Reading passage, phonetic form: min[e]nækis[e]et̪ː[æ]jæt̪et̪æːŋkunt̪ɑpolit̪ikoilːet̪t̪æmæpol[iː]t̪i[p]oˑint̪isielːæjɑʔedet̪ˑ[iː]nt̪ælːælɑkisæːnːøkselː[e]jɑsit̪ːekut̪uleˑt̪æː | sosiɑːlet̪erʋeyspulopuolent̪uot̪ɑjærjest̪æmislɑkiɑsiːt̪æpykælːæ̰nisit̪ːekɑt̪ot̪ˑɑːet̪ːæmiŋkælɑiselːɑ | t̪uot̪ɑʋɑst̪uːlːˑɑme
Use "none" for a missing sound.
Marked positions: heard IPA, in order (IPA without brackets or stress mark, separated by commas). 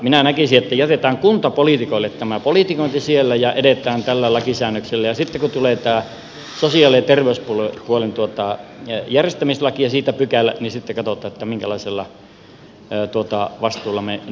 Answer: æ, i, æ, i, k, æː, æ